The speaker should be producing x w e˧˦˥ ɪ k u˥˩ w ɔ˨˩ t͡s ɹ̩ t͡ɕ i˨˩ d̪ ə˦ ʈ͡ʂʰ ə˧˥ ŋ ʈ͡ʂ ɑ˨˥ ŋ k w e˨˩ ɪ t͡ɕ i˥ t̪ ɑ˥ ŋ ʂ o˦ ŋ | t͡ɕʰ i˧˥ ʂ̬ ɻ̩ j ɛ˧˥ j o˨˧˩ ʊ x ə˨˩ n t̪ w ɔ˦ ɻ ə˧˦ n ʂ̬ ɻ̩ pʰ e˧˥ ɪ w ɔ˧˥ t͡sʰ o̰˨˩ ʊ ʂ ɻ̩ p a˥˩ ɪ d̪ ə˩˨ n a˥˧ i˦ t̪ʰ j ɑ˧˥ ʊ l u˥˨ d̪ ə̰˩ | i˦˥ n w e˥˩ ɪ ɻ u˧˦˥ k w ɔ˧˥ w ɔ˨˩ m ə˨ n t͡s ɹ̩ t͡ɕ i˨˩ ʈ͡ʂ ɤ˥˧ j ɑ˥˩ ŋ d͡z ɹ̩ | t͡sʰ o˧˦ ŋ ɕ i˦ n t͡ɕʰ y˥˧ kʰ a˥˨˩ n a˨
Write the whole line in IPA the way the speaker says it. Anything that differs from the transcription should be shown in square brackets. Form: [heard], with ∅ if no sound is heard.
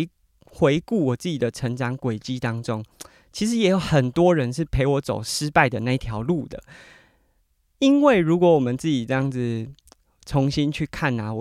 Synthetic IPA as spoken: x w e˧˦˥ ɪ k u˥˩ w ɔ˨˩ t͡s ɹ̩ t͡ɕ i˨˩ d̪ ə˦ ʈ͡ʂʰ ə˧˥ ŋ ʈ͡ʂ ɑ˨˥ ŋ k w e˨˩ ɪ t͡ɕ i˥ t̪ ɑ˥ ŋ [ʈ͡ʂ] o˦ ŋ | t͡ɕʰ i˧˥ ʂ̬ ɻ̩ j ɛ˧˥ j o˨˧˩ ʊ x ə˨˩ n t̪ w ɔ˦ ɻ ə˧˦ n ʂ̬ ɻ̩ pʰ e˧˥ ɪ w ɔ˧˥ [t͡s] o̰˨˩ ʊ ʂ ɻ̩ p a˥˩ ɪ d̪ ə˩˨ n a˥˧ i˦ t̪ʰ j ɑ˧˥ ʊ l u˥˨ d̪ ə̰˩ | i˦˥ n w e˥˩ ɪ ɻ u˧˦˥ k w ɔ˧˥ w ɔ˨˩ m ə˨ n t͡s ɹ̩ t͡ɕ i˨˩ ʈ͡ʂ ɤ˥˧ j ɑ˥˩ ŋ d͡z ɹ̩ | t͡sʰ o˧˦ ŋ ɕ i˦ n t͡ɕʰ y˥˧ kʰ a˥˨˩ n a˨